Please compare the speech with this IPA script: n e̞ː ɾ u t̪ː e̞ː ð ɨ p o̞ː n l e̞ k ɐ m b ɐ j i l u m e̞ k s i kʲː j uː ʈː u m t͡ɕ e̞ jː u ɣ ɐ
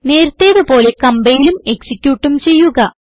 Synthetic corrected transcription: n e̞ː ɾ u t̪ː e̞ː ð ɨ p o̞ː l e̞ k ɐ m b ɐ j i l u m e̞ k s i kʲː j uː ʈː u m t͡ɕ e̞ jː u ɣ ɐ

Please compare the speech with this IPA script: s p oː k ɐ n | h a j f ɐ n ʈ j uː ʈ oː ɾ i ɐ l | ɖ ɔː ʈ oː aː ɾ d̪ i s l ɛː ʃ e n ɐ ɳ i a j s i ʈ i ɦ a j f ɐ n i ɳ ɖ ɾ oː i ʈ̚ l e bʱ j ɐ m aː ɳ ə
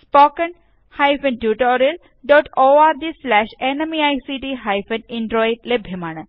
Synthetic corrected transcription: s p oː k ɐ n | h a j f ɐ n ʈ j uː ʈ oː ɾ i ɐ l | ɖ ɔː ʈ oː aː ɾ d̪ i s l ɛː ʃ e n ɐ m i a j s i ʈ i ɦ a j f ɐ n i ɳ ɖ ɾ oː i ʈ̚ l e bʱ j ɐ m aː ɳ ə

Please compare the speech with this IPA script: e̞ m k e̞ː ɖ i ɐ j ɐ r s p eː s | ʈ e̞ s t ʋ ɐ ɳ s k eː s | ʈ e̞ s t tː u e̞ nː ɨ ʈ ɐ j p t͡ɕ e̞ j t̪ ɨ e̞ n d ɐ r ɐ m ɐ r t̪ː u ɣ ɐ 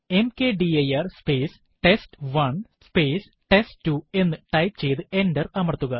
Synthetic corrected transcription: e̞ m k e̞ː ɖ i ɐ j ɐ r s p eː s | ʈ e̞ s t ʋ ɐ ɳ s p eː s | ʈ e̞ s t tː u e̞ nː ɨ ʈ ɐ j p t͡ɕ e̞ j t̪ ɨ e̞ n d ɐ r ɐ m ɐ r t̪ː u ɣ ɐ

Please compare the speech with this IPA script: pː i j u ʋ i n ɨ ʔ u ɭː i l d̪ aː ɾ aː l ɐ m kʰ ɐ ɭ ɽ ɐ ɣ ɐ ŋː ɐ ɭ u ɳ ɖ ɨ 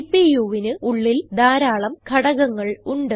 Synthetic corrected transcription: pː i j u ʋ i n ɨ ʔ u ɭː i l d̪ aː ɾ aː ɭ ɐ m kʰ ɐ ɽ ɐ ɣ ɐ ŋː ɐ ɭ u ɳ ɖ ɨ

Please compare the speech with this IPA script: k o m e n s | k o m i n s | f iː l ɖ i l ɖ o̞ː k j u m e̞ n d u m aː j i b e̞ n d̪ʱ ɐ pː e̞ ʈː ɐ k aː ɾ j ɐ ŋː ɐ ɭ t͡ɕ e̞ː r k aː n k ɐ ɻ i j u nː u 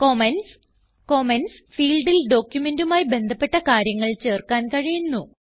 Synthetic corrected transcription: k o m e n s | k o m e n s | f iː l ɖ i l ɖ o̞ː k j u m e̞ n d u m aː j i b e̞ n d̪ʱ ɐ pː e̞ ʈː ɐ k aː ɾ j ɐ ŋː ɐ ɭ t͡ɕ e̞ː r k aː n k ɐ ɻ i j u nː u

